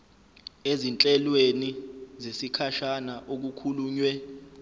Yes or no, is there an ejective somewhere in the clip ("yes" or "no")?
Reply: yes